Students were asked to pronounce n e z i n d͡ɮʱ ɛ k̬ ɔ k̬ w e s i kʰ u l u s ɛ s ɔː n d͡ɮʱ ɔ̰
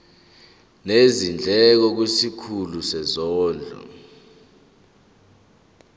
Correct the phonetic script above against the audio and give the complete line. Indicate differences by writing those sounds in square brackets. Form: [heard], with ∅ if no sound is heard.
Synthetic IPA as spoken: n e z i n d͡ɮʱ ɛ k̬ ɔ k̬ w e s i kʰ u l u s ɛ [z] ɔː n d͡ɮʱ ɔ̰